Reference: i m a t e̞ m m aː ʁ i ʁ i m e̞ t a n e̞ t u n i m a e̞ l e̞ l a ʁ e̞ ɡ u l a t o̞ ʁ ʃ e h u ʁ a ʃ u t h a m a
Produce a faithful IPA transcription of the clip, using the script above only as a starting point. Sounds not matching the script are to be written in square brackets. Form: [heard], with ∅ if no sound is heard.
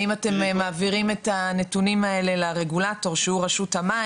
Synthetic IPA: i m a t e̞ m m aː [v] i ʁ i m e̞ t a n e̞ t u n i m a e̞ l e̞ l a ʁ e̞ ɡ u l a t o̞ ʁ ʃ e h u ʁ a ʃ u t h a m a